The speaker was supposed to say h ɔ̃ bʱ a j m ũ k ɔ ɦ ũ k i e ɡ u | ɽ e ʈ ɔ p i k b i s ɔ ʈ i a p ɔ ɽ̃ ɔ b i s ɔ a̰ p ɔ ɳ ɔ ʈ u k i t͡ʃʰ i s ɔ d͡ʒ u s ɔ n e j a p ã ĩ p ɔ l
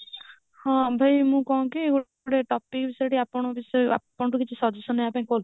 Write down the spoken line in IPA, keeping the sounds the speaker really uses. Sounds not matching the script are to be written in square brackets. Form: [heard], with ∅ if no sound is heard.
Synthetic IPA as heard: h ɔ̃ bʱ a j m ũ k ɔ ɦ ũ k i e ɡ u | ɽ e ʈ ɔ p i k b i s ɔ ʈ i a p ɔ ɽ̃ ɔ b i s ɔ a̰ p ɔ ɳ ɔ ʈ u k i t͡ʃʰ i s ɔ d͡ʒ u s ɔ n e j a p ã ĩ [k] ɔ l